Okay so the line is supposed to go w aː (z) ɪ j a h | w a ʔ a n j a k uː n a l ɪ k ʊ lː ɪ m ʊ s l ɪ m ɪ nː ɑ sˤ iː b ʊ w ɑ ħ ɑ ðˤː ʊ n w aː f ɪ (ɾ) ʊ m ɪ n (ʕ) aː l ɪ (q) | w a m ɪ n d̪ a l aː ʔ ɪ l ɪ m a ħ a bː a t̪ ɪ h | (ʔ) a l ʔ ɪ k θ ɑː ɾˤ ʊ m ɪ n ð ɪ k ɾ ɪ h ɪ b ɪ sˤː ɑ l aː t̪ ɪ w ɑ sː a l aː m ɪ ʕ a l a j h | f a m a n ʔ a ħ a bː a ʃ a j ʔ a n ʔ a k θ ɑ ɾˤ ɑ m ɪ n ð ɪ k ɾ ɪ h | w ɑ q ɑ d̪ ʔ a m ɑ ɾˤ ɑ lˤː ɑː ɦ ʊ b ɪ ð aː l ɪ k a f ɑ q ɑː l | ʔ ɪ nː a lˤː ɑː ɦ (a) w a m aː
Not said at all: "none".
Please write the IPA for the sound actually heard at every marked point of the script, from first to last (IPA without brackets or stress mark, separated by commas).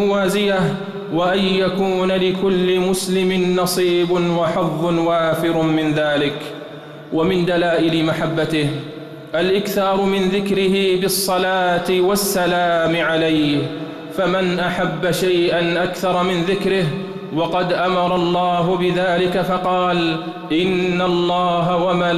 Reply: z, ɾ, ð, k, ʔ, a